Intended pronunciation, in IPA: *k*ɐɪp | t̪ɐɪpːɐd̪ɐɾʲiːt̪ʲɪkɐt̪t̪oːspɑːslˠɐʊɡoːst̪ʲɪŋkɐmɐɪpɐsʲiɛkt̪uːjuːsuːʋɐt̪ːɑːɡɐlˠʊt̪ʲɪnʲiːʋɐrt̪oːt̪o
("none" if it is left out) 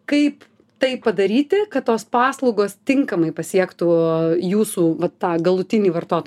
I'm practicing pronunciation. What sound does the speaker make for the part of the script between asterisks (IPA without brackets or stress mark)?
k